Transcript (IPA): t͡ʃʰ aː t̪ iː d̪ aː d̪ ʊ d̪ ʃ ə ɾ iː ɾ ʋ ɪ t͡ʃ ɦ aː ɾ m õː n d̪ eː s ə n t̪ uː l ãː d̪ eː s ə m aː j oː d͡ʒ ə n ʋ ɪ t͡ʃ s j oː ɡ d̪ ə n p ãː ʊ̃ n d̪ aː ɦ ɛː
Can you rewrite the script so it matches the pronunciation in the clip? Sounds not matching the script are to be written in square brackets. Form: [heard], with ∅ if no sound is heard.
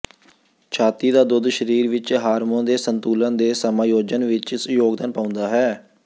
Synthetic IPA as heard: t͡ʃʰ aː t̪ iː d̪ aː d̪ ʊ d̪ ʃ ə ɾ iː ɾ ʋ ɪ t͡ʃ ɦ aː ɾ m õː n d̪ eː s ə n t̪ uː l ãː d̪ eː s ə m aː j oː d͡ʒ ə n ʋ ɪ t͡ʃ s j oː ɡ d̪ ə n p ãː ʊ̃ n d̪ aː ɦ ɛː